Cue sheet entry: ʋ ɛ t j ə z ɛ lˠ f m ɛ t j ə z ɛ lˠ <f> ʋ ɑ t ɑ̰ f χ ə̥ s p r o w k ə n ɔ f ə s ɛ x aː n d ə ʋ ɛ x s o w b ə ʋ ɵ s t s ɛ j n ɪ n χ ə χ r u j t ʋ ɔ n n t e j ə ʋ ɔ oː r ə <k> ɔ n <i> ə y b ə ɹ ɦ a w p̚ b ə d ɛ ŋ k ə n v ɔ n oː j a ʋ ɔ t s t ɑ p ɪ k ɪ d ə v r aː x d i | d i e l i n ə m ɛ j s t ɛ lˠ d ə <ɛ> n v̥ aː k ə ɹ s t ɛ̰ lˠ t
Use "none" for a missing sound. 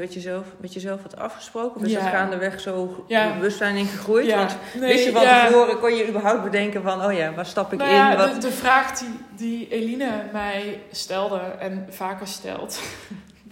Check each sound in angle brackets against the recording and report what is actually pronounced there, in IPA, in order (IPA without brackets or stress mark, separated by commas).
f, k, j, ɛ